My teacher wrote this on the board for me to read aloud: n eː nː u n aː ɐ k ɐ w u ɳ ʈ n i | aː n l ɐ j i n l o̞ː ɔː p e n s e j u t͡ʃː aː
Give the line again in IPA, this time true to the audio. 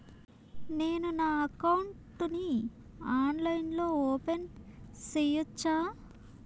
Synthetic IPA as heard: n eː n u n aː ɐ k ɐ w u ɳ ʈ n i | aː n l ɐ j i n l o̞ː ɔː p e n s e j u t͡ʃː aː